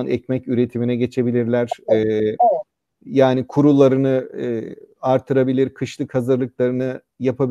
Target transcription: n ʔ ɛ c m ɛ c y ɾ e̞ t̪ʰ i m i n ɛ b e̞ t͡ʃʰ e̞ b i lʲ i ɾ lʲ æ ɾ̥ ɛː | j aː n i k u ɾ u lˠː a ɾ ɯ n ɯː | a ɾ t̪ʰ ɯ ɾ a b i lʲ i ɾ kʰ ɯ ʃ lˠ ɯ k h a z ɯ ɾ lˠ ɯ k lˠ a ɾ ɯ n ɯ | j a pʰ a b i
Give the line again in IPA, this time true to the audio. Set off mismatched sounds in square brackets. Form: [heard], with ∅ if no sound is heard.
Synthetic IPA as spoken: n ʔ ɛ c m ɛ c y ɾ e̞ t̪ʰ i m i n ɛ [ɟ] e̞ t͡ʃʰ e̞ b i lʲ i ɾ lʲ æ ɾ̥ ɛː | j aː n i [kʰ] u ɾ u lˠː a ɾ ɯ n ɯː | a ɾ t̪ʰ ɯ ɾ a b i lʲ i ɾ kʰ ɯ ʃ lˠ ɯ k h a z ɯ ɾ lˠ ɯ k lˠ a ɾ ɯ n ɯ | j a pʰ a b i